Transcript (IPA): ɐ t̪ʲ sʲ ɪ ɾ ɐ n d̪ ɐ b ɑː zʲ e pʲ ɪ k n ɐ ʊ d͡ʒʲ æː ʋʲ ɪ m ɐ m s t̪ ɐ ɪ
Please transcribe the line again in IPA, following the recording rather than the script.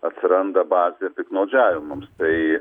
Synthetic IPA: ɐ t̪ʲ sʲ ɪ ɾ ɐ n d̪ ɐ b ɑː zʲ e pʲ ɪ k n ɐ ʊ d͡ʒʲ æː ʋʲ ɪ m ɐ m s t̪ ɐ ɪ